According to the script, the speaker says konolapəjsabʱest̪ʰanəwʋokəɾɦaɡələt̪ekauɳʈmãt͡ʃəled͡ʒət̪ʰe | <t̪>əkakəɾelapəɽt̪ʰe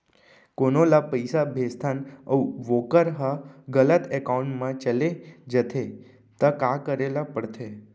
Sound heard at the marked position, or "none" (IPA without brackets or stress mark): t̪